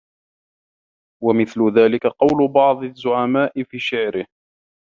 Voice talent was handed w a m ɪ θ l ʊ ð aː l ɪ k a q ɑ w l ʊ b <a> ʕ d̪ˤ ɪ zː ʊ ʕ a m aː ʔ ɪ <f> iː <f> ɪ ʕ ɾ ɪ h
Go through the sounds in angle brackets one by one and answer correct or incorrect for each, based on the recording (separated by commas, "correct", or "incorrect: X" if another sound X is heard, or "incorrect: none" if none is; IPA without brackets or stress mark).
incorrect: ɑ, correct, incorrect: ʃ